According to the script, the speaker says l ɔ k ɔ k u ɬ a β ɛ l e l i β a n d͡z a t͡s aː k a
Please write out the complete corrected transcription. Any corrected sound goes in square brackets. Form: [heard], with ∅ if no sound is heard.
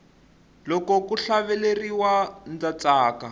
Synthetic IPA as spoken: l ɔ k ɔ k u ɬ a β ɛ l e [r] i [w] a n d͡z a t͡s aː k a

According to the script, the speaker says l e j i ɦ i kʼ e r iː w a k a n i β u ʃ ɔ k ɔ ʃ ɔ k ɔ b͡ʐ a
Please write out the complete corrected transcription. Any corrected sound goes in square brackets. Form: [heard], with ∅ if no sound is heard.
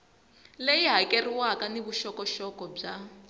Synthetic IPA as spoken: l e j i ɦ [a] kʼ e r [i] w a k a n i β u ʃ ɔ k ɔ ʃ ɔ k ɔ b͡ʐ a

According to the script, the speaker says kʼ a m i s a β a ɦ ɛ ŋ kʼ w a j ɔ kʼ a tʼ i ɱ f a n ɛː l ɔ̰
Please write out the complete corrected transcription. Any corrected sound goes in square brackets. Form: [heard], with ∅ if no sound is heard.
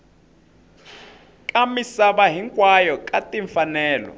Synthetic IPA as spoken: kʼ a m i s a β a ɦ [i] ŋ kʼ w a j ɔ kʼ a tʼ i ɱ f a n ɛː l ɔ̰

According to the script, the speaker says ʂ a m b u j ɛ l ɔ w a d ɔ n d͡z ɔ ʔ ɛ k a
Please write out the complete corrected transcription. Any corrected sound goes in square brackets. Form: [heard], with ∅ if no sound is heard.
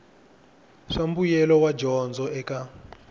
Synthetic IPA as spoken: ʂ a m b u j ɛ l ɔ w a [d͡ʒ] ɔ n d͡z ɔ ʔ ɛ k a

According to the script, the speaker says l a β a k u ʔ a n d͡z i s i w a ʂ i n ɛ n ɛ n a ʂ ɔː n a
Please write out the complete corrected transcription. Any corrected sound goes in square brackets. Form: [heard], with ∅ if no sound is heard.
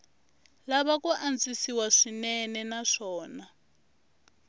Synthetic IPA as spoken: l a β a k u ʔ a n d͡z i s i w a ʂ i n ɛ n ɛ n a ʂ ɔː n a

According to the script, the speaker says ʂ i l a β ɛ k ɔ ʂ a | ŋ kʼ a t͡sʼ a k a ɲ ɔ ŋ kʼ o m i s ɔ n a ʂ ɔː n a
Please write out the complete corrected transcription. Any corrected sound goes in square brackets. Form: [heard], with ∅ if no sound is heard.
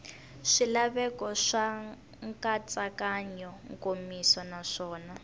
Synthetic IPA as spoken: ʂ i l a β ɛ k ɔ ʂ a | ŋ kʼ a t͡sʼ a k a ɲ ɔ ŋ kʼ o m i s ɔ n a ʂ ɔː n a

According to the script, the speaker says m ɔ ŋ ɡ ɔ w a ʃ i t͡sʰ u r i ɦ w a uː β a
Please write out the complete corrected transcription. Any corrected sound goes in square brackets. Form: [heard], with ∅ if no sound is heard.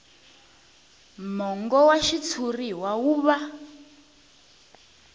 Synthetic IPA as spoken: m ɔ ŋ ɡ ɔ w a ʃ i t͡sʰ u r i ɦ w a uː β a

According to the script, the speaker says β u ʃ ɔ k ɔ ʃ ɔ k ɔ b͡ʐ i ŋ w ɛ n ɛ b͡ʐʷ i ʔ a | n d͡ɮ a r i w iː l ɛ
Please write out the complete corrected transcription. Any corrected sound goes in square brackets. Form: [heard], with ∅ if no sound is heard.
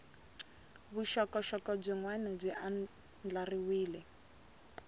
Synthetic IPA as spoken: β u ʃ ɔ k ɔ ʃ ɔ k ɔ b͡ʐ i ŋ w ɛ n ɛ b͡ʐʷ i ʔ a | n d͡ɮ a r i w iː l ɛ

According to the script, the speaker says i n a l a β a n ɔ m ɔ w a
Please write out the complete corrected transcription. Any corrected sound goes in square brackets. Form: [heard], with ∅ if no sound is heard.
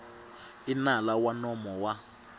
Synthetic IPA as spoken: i n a l a [w] a n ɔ m ɔ w a

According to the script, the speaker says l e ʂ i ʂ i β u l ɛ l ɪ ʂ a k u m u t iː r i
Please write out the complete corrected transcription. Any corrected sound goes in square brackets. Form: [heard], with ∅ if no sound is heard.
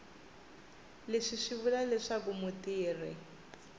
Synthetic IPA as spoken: l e ʂ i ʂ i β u l [a] l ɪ ʂ a k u m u t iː r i

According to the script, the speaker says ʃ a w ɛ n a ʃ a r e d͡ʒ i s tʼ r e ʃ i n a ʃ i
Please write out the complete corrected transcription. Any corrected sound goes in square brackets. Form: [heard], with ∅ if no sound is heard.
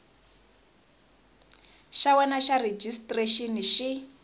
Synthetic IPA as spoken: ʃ a w ɛ n a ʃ a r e d͡ʒ i s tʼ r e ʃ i n [i] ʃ i

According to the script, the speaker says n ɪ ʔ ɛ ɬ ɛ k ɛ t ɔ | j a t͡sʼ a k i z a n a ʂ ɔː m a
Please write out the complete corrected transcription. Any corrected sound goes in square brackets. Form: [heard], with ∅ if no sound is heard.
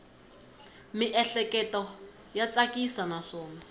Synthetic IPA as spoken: [m] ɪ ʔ ɛ ɬ ɛ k ɛ t ɔ | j a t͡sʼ a k i [s] a n a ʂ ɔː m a

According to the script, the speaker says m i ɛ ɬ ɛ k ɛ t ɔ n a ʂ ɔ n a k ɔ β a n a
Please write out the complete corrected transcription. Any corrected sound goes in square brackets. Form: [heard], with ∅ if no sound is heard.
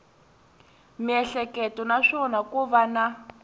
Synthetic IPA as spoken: m i ɛ ɬ ɛ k ɛ t ɔ n a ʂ ɔ n a k [u] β a n a

